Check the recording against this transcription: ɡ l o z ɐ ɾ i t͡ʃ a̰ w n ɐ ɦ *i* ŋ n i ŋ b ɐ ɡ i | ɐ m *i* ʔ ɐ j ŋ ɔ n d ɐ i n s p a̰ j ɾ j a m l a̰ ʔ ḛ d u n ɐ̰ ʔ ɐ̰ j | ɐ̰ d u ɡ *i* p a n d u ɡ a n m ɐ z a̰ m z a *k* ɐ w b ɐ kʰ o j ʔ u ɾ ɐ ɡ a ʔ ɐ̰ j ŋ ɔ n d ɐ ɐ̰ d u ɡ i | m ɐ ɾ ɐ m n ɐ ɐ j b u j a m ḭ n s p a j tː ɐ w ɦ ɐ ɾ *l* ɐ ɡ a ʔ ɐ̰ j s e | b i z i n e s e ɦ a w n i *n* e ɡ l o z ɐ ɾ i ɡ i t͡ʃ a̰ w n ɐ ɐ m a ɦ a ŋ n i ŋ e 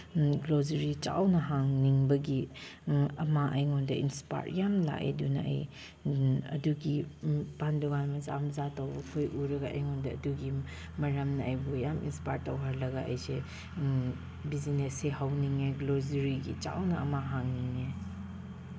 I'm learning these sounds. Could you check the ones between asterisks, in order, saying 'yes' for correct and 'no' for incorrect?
no, no, yes, no, yes, no

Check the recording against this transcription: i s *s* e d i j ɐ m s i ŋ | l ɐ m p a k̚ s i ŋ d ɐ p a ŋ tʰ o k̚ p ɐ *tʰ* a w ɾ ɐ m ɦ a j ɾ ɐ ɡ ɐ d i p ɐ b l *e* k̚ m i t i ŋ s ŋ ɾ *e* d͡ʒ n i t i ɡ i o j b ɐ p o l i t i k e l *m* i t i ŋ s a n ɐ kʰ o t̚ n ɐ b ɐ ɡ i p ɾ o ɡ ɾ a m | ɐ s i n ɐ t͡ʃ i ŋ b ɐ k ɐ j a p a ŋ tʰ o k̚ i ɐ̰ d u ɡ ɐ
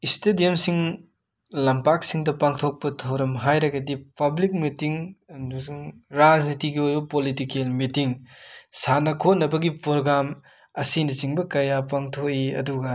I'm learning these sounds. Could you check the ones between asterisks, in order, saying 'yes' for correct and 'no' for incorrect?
no, yes, no, no, yes

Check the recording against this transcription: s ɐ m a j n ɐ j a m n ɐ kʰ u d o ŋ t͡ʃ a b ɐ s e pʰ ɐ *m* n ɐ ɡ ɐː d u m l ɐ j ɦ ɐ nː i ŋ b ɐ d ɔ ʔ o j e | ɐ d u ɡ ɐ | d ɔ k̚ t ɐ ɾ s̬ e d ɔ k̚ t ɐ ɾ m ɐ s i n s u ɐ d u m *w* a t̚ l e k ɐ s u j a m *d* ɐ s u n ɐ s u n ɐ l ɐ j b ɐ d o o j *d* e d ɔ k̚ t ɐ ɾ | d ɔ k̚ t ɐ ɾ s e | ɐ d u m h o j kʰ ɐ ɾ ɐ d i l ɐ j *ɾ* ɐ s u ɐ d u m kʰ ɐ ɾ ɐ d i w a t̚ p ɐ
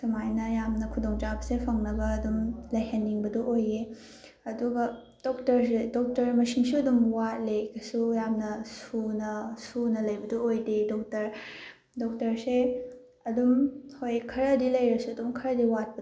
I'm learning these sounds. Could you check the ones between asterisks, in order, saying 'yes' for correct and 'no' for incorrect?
no, yes, no, yes, yes

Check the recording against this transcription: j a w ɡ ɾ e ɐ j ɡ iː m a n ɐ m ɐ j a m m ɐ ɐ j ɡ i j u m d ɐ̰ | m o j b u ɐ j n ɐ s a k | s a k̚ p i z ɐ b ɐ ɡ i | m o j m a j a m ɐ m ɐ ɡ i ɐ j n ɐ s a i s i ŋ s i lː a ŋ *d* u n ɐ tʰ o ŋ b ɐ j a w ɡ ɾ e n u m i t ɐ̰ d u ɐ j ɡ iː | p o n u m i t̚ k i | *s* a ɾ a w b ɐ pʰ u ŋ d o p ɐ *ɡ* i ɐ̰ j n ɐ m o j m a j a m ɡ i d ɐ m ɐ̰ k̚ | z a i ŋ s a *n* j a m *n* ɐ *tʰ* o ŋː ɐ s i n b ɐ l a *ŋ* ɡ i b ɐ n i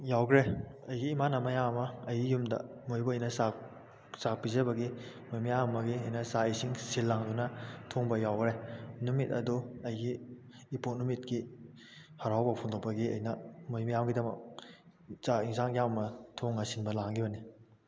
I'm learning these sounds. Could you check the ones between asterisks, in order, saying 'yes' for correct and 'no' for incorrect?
yes, no, yes, no, no, yes, yes

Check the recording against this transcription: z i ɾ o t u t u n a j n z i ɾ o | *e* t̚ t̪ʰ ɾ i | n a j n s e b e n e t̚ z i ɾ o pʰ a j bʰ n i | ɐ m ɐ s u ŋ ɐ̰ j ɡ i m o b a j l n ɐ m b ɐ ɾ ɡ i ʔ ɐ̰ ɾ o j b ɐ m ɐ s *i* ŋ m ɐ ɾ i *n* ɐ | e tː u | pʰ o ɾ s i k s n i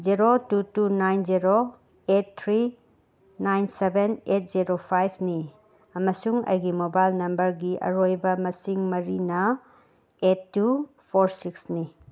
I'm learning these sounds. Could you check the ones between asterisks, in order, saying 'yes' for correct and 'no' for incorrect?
yes, yes, yes

